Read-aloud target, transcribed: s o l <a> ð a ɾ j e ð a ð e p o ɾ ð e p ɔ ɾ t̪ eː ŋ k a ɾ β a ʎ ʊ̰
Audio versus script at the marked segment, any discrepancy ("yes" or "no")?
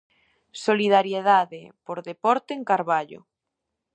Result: yes